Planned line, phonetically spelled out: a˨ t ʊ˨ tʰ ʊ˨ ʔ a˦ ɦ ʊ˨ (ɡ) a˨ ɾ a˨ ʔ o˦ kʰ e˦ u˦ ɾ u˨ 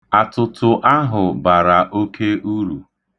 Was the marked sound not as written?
yes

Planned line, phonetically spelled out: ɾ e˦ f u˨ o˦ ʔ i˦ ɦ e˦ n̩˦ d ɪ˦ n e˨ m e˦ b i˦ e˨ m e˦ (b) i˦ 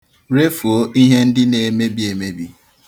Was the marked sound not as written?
no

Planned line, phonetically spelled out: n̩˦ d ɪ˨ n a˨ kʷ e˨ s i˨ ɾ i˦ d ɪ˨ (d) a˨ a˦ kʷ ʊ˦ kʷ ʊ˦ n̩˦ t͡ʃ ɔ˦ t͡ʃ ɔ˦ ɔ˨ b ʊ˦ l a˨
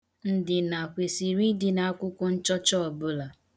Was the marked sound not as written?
yes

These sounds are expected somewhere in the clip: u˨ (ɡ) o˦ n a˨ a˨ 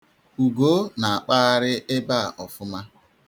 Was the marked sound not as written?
no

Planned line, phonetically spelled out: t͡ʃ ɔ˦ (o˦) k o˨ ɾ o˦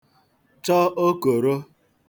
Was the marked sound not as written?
no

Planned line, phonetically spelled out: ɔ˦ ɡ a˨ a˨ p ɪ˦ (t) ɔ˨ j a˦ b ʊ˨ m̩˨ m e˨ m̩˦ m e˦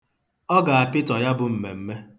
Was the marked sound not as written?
no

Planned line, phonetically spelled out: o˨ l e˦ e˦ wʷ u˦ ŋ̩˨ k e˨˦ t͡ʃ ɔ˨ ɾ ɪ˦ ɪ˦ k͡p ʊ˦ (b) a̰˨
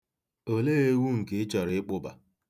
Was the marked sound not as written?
no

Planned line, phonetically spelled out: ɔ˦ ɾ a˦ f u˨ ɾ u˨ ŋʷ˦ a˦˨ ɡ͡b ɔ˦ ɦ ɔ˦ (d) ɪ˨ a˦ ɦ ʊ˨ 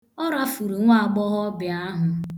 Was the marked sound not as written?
yes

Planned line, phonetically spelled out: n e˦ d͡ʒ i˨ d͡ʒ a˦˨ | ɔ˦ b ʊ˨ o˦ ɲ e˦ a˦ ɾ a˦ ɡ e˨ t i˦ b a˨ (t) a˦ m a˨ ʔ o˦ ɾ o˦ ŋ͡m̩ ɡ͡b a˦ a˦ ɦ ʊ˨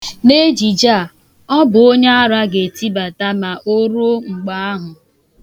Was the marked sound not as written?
no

